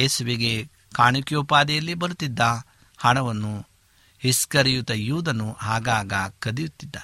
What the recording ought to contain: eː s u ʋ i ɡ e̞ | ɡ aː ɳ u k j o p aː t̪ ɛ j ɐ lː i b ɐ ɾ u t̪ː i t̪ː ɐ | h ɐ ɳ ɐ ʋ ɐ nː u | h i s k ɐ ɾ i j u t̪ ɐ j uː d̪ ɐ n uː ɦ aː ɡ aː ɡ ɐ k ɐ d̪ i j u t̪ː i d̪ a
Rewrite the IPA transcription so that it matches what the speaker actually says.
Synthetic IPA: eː s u ʋ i ɡ e̞ | k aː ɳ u k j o p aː d̪ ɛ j ɐ lː i b ɐ ɾ u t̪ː i d̪ː ɐ | h ɐ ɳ ɐ ʋ ɐ nː u | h i s k ɐ ɾ i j u t̪ ɐ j uː d̪ ɐ n u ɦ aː ɡ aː ɡ ɐ k ɐ d̪ i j u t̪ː i d̪ː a